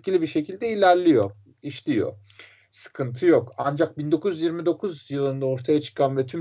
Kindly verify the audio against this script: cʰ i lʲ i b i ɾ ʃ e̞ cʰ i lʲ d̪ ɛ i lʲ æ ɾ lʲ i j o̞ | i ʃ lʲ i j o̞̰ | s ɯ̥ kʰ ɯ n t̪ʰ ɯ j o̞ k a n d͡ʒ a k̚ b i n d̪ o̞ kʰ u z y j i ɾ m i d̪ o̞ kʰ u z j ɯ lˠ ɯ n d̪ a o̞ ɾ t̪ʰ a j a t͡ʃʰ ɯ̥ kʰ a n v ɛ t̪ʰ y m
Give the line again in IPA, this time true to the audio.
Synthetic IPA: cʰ i lʲ i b i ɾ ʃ e̞ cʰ i lʲ d̪ ɛ i lʲ æ ɾ lʲ i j o̞ | i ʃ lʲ i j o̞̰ | s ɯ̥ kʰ ɯ n t̪ʰ ɯ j o̞ k a n d͡ʒ a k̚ b i n d̪ o̞ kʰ u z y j i ɾ m i d̪ o̞ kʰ u z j ɯ lˠ ɯ n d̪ a o̞ ɾ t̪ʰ a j a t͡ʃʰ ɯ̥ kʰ a n v ɛ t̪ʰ y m